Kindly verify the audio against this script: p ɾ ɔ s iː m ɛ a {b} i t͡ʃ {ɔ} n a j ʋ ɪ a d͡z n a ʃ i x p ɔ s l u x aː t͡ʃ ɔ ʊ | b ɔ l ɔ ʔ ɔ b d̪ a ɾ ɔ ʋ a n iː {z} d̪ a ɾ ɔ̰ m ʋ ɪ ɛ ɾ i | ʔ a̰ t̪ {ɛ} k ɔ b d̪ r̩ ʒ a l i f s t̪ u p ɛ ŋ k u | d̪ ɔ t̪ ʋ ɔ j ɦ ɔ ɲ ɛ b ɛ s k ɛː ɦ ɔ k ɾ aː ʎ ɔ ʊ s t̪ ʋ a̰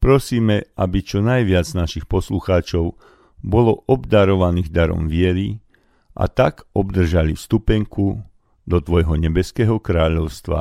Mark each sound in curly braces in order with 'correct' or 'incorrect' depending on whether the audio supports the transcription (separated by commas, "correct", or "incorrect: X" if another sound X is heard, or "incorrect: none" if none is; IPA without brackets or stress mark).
correct, correct, incorrect: ɣ, incorrect: a